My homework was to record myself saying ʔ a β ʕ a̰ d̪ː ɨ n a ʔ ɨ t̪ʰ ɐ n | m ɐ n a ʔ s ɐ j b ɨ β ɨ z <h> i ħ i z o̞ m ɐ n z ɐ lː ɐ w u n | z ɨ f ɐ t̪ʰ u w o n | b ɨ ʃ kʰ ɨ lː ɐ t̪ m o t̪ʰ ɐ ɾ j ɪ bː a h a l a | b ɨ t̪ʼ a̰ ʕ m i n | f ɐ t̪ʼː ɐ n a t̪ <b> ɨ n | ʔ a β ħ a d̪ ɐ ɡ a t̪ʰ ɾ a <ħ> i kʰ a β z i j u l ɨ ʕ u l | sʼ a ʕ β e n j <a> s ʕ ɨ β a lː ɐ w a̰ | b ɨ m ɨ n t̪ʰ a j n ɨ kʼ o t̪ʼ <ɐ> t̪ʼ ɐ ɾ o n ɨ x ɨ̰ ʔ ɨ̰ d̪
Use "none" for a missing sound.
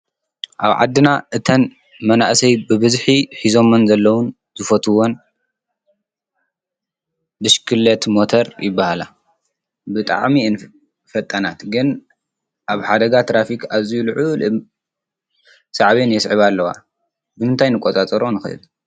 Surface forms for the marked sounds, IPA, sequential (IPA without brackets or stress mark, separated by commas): ħ, ɡ, f, ɛ, a